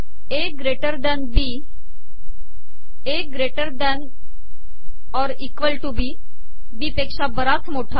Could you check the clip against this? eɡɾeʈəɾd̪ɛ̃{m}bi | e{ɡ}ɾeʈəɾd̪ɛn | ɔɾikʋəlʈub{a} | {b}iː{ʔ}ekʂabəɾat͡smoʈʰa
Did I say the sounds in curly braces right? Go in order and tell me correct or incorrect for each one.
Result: incorrect: n, correct, incorrect: i, correct, incorrect: p

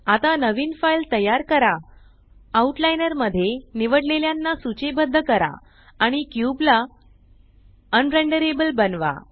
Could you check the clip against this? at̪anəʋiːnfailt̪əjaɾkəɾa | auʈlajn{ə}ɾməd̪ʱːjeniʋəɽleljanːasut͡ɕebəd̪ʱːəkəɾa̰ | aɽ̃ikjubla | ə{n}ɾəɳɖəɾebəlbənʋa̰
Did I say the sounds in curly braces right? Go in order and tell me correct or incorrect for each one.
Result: correct, correct

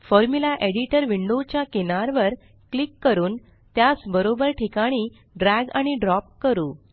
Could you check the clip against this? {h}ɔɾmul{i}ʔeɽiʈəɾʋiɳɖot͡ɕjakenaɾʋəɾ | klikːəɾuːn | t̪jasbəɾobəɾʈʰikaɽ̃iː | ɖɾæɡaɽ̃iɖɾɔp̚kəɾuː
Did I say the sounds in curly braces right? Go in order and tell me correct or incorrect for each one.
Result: incorrect: f, incorrect: a

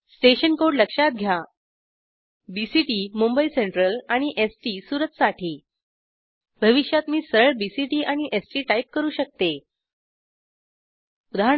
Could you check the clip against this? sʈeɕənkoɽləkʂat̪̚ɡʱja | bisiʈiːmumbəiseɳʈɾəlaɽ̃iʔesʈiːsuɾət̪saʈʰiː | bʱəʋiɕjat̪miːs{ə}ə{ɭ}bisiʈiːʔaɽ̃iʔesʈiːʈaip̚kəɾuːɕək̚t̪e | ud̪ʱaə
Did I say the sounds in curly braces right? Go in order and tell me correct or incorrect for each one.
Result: correct, correct

